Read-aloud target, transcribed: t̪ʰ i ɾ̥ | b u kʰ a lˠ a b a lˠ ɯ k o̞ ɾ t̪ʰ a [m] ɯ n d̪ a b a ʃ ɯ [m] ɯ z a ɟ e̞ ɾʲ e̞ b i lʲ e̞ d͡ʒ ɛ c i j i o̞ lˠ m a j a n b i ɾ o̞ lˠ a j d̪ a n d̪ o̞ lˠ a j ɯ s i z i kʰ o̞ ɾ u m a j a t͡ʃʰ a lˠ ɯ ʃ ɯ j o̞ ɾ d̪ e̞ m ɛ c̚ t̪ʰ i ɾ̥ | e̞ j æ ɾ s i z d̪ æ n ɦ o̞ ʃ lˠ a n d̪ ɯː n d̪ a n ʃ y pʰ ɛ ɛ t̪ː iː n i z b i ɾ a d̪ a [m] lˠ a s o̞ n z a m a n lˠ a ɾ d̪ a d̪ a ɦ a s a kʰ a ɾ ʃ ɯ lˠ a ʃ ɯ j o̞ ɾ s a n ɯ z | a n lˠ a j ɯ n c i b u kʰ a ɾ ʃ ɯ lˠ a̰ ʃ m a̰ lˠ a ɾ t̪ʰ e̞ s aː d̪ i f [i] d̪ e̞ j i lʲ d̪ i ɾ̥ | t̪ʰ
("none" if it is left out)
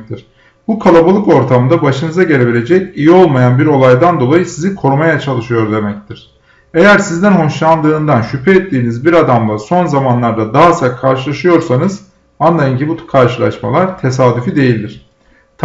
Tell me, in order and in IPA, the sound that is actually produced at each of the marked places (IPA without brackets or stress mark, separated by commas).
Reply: m, n, m, i